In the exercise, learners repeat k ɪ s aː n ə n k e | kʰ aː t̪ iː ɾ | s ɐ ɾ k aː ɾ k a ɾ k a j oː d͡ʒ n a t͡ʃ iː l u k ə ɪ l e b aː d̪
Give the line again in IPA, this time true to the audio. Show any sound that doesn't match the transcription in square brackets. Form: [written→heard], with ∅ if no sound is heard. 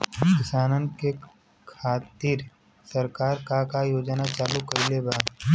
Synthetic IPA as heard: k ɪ s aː n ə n k e | kʰ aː t̪ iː ɾ | s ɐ ɾ k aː ɾ k a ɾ k a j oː d͡ʒ n a t͡ʃ [iː→aː] l u k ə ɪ l e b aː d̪